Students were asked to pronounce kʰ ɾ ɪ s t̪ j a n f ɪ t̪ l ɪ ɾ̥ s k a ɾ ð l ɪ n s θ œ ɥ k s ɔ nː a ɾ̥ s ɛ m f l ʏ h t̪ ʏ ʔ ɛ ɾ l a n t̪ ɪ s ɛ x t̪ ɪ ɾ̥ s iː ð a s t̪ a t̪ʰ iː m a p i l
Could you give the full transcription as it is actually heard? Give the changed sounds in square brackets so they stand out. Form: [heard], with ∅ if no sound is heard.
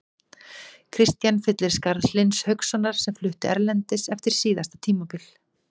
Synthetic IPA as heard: kʰ ɾ ɪ s t̪ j a n f ɪ t̪ l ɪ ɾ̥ s k a ɾ ð l ɪ n s [h] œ ɥ k s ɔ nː a ɾ̥ s ɛ m f l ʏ h t̪ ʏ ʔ ɛ ɾ l [ɛ] n t̪ ɪ s ɛ [f] t̪ ɪ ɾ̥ s iː ð a s t̪ a t̪ʰ iː m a p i l